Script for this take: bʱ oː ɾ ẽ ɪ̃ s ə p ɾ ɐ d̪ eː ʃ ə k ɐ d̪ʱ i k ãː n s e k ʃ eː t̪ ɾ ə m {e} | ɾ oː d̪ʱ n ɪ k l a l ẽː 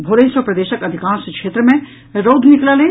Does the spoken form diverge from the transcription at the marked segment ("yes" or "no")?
yes